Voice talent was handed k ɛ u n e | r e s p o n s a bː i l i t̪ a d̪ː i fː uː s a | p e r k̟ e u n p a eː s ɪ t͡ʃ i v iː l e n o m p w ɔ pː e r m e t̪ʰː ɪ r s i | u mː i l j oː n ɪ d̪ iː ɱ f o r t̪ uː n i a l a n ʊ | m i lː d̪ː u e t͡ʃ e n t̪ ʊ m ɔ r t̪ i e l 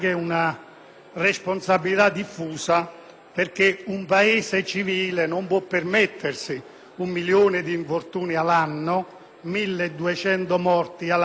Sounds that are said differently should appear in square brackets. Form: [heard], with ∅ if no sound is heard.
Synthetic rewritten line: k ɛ u n [a] | r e s p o n s a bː i l i t̪ a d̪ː i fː uː s a | p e r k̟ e u [m] p a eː s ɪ t͡ʃ i v iː l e n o m p w ɔ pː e r m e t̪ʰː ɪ r s i | u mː i l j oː n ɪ d̪ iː ɱ f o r t̪ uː n i a l a [nː] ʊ | m i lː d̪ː u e t͡ʃ [ɛ] n t̪ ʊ m ɔ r t̪ i [a] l